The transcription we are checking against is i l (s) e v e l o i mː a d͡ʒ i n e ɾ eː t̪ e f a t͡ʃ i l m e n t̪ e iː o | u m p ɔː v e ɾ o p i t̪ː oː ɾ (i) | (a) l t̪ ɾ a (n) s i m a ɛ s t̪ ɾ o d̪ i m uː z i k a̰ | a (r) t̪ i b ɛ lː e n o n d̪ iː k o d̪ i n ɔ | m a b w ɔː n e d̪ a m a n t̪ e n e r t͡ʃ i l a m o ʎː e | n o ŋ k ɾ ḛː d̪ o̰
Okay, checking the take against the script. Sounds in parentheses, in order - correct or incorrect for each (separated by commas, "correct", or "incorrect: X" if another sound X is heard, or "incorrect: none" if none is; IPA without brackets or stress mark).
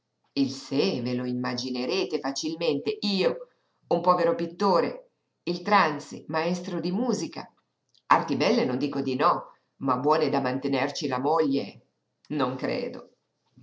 correct, incorrect: e, incorrect: i, correct, correct